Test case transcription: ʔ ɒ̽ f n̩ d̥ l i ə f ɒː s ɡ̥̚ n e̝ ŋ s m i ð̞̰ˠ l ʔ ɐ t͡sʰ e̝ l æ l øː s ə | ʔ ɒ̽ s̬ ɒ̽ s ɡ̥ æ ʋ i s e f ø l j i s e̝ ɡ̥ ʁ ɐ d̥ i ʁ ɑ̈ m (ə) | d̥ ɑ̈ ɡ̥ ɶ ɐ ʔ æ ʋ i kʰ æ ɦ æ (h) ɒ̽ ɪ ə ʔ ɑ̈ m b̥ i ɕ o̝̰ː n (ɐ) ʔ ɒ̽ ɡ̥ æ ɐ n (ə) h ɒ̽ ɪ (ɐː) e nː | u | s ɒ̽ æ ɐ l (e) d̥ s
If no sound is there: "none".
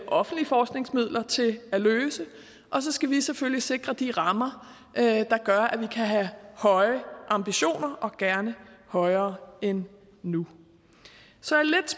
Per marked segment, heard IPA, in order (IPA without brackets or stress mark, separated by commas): ɐ, h, ɐ, ə, ɐː, e